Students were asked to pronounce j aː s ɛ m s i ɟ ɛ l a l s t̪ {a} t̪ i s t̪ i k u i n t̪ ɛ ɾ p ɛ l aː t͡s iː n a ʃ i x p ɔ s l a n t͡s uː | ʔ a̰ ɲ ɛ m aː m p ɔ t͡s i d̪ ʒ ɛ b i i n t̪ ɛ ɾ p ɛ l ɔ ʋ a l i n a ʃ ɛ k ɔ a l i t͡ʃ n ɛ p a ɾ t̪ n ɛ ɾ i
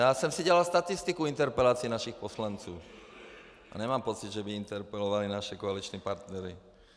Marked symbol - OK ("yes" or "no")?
yes